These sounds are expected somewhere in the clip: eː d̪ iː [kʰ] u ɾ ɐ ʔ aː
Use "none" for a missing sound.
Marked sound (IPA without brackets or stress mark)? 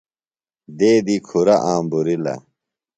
kʰ